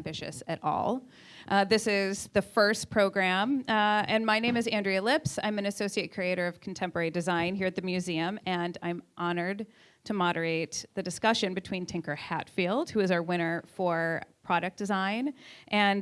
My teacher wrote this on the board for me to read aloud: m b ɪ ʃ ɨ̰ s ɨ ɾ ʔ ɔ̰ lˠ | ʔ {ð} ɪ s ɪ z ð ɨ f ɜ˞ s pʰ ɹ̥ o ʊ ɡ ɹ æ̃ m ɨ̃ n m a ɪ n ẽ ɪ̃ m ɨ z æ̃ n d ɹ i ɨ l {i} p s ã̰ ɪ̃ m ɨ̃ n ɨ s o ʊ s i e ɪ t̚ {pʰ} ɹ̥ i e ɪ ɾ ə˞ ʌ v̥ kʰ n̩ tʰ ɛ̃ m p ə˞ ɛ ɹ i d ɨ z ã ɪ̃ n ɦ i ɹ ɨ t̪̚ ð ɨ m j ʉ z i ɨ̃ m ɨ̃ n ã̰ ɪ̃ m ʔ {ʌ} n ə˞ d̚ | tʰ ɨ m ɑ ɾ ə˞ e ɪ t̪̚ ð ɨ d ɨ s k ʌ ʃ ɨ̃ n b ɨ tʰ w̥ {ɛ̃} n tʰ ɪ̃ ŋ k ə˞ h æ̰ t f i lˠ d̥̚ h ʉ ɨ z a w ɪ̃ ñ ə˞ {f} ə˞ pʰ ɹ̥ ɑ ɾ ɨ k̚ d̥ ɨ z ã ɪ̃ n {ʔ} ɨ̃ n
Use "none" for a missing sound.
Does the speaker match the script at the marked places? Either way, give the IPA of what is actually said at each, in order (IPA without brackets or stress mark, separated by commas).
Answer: ð, ɪ, kʰ, ɑ, ĩ, f, ʔ